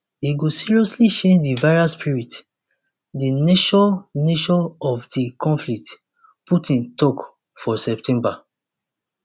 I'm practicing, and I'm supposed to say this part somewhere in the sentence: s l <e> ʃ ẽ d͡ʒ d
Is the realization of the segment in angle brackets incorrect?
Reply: yes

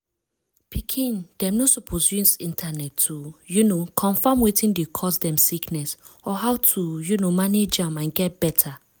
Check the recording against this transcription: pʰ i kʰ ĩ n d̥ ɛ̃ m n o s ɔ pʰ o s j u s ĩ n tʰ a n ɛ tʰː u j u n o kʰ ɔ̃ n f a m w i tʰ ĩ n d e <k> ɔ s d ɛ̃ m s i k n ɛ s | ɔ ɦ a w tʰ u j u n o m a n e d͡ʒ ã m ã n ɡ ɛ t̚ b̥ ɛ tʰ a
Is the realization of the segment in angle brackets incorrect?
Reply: yes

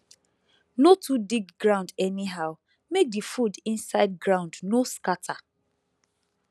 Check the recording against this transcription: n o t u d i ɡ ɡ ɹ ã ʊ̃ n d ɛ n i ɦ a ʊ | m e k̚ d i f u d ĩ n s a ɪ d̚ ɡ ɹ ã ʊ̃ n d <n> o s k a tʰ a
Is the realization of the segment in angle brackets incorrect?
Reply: no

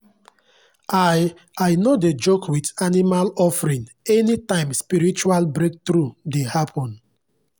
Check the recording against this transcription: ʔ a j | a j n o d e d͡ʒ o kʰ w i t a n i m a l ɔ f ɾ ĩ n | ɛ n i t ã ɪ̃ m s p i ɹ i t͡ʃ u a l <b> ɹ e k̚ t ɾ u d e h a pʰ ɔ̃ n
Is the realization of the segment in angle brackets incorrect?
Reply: no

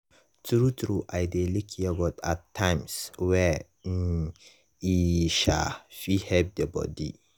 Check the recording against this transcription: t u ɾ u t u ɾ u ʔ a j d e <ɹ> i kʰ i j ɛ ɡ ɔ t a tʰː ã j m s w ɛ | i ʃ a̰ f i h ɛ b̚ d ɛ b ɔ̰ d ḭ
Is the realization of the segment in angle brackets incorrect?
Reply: yes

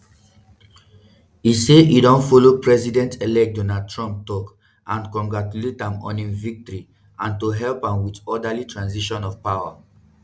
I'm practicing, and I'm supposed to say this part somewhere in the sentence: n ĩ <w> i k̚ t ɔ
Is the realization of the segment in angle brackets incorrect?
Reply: yes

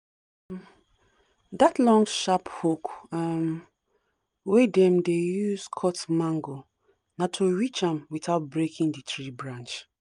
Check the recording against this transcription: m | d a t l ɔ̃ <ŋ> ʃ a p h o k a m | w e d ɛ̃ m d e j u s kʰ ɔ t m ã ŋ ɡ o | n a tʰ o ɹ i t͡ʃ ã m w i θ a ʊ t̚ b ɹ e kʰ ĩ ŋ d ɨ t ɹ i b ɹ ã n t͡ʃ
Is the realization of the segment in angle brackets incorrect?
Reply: no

